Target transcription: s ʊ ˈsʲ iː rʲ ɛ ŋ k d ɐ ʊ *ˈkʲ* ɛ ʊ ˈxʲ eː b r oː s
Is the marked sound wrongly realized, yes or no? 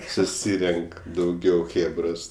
yes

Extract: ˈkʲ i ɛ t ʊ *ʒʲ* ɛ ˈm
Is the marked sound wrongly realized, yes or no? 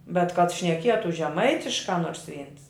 no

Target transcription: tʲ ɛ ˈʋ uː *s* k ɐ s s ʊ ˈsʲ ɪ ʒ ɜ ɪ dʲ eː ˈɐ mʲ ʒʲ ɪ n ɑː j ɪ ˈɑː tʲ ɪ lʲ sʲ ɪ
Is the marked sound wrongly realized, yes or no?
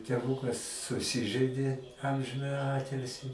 yes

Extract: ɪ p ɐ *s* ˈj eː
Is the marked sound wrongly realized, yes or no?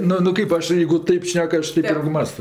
yes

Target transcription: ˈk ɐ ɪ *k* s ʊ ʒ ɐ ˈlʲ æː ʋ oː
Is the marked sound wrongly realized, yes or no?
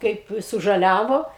yes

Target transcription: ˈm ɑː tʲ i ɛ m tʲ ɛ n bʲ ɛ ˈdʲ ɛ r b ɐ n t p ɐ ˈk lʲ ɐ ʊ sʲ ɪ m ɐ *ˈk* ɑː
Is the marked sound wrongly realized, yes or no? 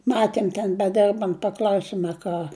no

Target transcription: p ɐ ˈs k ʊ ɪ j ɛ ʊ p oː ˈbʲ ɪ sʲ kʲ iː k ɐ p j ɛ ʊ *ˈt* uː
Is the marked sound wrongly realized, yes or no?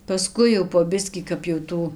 no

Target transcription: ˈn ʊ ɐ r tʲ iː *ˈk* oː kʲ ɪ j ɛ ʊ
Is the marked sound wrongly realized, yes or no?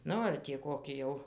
no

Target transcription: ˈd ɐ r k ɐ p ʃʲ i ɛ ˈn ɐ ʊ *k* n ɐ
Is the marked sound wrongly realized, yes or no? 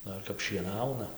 yes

